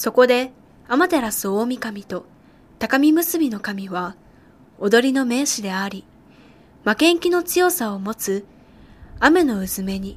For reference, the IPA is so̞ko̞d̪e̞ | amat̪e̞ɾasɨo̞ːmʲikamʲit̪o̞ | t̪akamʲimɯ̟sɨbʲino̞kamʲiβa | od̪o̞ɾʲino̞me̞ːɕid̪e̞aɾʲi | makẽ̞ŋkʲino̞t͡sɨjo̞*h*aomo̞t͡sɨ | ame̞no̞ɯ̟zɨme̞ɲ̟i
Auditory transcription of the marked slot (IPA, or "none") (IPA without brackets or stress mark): s